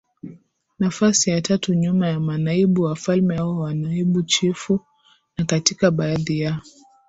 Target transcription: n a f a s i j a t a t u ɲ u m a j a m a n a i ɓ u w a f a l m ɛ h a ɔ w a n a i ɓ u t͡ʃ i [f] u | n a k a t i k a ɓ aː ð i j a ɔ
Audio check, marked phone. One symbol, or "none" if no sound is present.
f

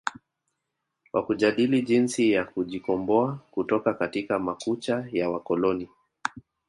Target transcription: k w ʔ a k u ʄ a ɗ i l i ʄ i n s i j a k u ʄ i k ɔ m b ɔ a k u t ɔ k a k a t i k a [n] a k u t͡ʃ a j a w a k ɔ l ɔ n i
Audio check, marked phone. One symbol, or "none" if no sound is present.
m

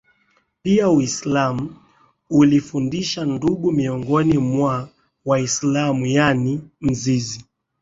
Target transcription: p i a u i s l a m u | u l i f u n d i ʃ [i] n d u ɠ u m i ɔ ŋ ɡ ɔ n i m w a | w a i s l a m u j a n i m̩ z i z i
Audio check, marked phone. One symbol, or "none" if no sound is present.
a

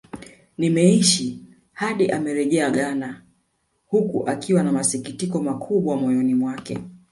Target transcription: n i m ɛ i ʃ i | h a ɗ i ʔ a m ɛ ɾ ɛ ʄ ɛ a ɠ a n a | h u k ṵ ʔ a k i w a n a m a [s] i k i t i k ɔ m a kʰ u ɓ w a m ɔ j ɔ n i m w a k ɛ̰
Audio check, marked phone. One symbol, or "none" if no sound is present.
s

